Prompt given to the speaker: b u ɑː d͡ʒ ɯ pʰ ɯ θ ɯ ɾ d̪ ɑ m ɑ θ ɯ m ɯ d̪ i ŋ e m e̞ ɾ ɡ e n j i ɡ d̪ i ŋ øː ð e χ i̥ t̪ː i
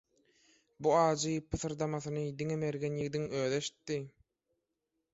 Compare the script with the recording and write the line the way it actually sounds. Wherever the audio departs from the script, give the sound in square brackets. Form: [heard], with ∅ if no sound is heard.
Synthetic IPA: b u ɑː d͡ʒ ɯ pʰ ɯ θ ɯ ɾ d̪ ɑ m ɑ θ ɯ [n] ɯ d̪ i ŋ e m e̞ ɾ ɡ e n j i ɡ d̪ i ŋ øː ð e [ʃ] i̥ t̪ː i